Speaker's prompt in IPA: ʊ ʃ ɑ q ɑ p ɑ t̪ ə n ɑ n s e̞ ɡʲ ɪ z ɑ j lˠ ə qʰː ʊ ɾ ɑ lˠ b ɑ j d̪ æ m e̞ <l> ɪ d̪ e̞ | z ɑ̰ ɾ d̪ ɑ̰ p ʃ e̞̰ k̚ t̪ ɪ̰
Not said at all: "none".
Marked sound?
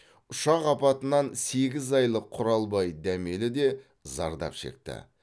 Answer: l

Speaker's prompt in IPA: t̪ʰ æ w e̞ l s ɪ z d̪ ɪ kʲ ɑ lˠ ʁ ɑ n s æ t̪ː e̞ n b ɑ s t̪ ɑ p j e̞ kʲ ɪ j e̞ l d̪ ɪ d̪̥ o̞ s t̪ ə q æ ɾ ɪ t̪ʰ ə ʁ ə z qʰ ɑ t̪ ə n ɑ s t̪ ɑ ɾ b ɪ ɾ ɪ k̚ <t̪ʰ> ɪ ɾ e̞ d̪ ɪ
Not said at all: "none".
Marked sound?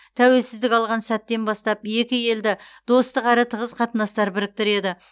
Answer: t̪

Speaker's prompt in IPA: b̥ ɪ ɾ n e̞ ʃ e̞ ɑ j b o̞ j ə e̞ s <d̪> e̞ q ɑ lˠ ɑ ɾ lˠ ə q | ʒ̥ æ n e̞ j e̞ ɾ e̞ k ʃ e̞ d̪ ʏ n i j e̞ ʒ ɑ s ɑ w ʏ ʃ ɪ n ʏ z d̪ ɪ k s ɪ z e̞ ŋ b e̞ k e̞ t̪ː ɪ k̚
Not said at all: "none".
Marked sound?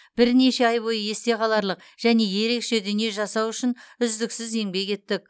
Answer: t̪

